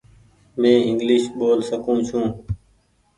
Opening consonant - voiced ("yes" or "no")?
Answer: yes